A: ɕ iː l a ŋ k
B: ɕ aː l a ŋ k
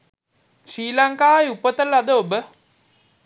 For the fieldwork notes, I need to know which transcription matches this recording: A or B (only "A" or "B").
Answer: A